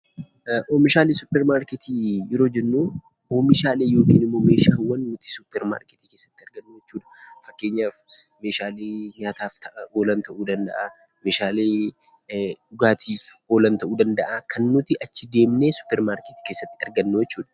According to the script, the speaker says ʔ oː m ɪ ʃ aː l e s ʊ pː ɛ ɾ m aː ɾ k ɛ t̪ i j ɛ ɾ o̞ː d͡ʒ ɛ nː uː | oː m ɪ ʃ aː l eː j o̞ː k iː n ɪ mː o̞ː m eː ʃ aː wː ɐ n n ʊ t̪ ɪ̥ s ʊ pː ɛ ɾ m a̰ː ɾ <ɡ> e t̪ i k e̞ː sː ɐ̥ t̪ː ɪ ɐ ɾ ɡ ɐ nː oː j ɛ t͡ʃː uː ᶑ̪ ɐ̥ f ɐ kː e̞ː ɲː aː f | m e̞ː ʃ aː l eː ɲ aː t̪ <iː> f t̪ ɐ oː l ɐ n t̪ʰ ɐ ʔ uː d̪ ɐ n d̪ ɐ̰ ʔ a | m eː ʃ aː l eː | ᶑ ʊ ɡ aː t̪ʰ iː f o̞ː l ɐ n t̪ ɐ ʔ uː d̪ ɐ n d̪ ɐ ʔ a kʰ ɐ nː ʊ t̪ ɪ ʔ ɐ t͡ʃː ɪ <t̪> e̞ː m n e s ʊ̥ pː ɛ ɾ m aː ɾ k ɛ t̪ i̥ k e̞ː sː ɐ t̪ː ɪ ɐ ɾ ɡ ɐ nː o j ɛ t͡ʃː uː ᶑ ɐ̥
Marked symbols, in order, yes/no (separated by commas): no, no, no